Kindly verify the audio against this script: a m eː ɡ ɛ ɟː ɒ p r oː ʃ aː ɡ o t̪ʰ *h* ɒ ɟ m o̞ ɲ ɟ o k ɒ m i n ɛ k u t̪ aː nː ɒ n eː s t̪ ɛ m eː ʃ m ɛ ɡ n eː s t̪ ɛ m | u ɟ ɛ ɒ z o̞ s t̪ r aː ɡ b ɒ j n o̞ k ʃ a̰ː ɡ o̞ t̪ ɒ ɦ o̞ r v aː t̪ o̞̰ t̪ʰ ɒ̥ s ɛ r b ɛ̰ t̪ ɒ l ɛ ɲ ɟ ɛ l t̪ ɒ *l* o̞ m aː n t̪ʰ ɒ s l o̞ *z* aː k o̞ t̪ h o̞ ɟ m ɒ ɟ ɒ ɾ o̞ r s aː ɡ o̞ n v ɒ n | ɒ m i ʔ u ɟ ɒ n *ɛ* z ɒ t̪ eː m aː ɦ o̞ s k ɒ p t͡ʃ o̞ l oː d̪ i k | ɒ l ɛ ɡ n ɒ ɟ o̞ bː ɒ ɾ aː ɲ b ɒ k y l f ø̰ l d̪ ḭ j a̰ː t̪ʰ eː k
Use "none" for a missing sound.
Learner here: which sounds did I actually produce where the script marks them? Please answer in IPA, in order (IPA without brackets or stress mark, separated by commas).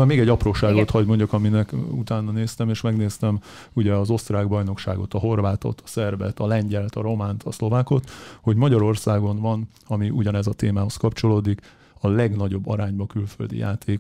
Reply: h, ɾ, v, ɛ